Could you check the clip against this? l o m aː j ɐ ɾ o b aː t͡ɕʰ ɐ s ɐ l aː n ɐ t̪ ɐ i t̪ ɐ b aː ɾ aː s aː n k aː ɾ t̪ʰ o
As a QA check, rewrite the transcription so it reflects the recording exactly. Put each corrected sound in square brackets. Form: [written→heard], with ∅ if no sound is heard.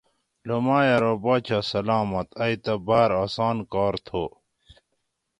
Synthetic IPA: l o m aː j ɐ ɾ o b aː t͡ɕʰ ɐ s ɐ l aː [n→m] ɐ t̪ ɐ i t̪ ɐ b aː ɾ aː s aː n k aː ɾ t̪ʰ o